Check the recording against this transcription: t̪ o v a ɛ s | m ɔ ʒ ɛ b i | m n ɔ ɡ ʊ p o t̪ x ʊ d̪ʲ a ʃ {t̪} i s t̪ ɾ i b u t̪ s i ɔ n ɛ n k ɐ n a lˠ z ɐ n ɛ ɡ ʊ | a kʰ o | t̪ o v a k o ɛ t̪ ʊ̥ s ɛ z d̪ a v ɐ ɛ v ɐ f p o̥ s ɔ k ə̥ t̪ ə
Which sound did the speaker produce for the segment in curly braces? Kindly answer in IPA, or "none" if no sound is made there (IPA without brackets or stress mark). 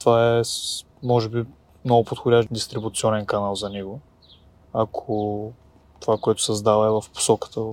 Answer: d̪